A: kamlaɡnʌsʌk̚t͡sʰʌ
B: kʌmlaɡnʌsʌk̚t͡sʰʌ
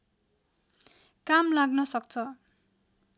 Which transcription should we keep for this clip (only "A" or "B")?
A